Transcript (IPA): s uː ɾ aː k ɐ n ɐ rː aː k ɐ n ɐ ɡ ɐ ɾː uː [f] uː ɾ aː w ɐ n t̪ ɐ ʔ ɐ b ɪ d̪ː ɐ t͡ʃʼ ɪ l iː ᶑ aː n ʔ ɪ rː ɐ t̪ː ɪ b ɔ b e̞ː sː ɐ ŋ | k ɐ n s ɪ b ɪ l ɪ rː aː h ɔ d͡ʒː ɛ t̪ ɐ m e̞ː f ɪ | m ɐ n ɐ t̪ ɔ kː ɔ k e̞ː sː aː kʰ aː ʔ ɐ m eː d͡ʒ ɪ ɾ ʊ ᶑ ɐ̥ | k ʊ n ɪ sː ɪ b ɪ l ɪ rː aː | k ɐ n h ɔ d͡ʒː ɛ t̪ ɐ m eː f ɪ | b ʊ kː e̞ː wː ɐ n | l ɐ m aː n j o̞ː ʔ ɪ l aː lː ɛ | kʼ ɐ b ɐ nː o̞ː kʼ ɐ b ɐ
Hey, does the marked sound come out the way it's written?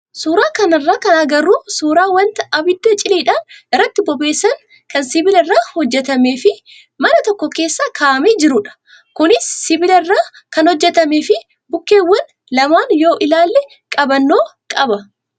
no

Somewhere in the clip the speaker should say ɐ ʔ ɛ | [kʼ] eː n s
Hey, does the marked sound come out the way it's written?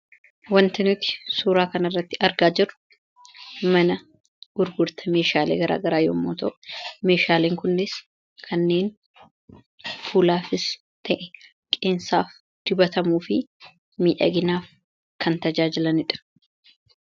yes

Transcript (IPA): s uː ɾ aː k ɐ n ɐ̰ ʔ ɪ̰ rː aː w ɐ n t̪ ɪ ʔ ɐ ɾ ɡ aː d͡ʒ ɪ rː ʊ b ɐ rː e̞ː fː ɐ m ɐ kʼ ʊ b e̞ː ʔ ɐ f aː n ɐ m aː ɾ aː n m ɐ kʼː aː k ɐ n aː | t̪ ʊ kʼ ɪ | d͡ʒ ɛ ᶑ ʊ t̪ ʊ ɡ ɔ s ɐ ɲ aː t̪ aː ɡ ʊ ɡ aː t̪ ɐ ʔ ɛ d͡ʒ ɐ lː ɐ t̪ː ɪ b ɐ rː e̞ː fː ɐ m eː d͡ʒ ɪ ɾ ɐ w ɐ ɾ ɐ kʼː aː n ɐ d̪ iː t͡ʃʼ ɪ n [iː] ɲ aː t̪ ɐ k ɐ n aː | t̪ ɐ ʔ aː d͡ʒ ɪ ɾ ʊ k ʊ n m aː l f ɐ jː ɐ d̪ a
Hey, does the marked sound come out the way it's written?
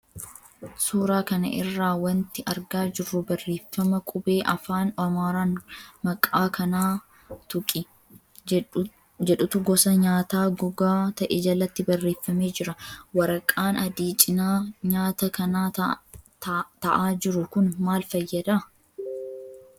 no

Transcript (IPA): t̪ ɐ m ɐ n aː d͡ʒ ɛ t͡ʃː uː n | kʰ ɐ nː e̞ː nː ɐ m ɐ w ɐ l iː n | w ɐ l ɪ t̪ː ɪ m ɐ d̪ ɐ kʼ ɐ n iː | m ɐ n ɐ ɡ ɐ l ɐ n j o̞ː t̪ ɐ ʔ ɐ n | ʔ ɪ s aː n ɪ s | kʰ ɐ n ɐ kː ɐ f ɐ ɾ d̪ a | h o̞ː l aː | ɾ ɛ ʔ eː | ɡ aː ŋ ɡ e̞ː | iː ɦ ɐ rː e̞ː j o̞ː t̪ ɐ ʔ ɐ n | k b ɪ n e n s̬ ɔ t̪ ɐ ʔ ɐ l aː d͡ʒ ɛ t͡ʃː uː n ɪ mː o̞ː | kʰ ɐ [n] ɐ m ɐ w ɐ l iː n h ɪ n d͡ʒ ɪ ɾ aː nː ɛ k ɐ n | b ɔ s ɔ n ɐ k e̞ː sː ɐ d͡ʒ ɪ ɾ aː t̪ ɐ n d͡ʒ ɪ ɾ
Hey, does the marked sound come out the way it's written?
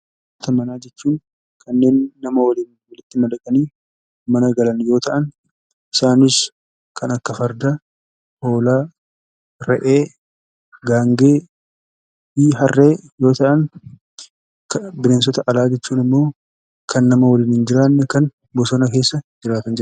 no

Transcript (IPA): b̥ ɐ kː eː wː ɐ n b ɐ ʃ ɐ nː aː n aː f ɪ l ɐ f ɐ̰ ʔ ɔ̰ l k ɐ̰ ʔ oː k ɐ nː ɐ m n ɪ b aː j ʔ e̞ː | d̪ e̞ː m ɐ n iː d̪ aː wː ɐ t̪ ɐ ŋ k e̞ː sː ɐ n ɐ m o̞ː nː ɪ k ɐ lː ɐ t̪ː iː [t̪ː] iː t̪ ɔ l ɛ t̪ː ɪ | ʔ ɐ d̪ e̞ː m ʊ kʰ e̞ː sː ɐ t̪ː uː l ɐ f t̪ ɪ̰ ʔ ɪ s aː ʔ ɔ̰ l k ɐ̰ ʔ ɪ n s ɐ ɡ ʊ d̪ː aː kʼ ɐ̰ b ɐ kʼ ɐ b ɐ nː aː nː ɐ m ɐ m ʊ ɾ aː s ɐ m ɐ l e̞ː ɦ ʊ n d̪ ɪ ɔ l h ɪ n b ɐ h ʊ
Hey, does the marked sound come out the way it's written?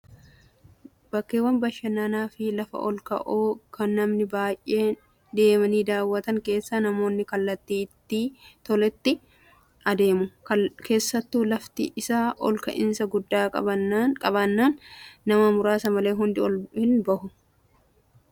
yes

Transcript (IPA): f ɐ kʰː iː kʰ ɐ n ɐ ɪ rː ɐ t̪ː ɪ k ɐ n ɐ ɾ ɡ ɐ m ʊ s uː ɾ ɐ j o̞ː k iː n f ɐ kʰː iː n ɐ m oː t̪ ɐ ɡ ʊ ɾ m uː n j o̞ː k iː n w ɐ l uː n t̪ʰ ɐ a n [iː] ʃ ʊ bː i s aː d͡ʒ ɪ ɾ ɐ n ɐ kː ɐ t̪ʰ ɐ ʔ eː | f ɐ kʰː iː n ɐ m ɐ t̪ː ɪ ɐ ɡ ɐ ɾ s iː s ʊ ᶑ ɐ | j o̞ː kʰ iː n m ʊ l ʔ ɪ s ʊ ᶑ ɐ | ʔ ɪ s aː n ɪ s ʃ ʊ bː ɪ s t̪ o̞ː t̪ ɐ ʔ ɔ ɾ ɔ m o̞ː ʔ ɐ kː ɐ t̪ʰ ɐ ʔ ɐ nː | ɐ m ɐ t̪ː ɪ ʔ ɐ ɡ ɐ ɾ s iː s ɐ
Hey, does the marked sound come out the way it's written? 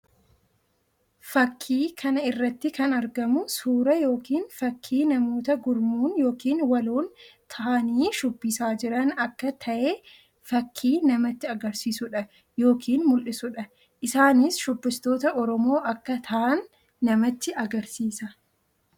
yes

